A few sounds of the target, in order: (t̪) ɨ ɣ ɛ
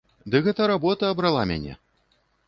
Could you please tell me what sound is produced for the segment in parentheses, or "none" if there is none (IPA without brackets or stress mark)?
d̪